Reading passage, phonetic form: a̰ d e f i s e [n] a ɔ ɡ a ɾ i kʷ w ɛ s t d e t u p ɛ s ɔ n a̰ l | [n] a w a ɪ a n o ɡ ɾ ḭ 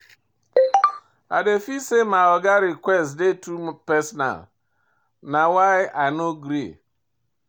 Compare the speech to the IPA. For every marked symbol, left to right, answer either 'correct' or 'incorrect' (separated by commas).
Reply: incorrect, correct